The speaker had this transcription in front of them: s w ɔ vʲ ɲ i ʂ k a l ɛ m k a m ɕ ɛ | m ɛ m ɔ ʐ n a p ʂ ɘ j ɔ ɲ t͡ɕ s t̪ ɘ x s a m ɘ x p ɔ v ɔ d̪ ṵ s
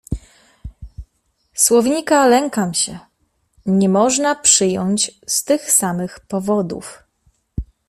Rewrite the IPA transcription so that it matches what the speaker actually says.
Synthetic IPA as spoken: s w ɔ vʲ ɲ i k a l ɛ ŋ k a m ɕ ɛ | ɲ ɛ m ɔ ʐ n a p ʂ ɘ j ɔ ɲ t͡ɕ s t̪ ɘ x s a m ɘ x p ɔ v ɔ d̪ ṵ f

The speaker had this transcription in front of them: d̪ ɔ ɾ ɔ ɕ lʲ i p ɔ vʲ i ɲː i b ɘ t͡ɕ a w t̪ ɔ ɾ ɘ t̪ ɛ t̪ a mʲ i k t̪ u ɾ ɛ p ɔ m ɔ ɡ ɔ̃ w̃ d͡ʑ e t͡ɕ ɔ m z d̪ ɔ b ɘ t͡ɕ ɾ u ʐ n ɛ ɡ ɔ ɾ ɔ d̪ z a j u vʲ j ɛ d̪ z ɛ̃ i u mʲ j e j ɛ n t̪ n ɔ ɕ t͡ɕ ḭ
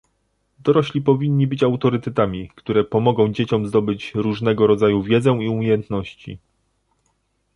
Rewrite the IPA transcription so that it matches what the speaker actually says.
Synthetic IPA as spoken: d̪ ɔ ɾ ɔ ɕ lʲ i p ɔ vʲ i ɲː i b ɘ t͡ɕ a w t̪ ɔ ɾ ɘ t̪ ɛ t̪ a mʲ i k t̪ u ɾ ɛ p ɔ m ɔ ɡ ɔ̃ w̃ d͡ʑ e t͡ɕ ɔ m z d̪ ɔ b ɘ t͡ɕ ɾ u ʐ n ɛ ɡ ɔ ɾ ɔ d̪ z a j u vʲ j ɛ d̪ z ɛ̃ i u mʲ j e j ɛ n t̪ n ɔ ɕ t͡ɕ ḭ

